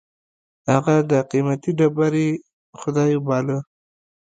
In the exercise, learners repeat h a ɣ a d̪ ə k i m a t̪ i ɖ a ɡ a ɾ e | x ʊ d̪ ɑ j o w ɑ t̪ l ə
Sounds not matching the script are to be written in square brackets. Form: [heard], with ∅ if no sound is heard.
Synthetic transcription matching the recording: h a ɣ a d̪ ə [q] i m a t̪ i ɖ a [b] a ɾ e | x ʊ d̪ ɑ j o [b] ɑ [∅] l ə